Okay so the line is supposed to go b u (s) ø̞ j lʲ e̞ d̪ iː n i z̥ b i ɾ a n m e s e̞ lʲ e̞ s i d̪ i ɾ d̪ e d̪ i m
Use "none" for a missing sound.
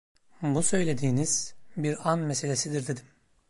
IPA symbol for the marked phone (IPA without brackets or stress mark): s